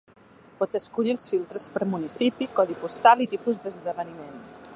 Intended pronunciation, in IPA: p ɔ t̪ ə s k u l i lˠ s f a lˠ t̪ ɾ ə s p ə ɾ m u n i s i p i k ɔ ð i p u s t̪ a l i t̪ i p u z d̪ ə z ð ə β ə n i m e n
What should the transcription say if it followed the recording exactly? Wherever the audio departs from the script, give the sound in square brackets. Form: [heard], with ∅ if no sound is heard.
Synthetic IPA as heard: p ɔ t̪ ə s k u [ʎ] i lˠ s f [i] lˠ t̪ ɾ ə s p ə ɾ m u n i s i p i k ɔ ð i p u s t̪ a l i t̪ i p u z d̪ ə z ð ə β ə n i m e n